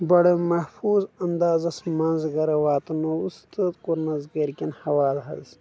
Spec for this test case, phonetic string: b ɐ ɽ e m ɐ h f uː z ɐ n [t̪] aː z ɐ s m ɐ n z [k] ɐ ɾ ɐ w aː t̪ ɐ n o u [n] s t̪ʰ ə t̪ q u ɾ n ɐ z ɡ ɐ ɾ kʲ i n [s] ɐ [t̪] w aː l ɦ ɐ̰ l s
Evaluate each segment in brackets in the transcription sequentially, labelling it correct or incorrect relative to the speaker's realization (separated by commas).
incorrect, incorrect, incorrect, incorrect, incorrect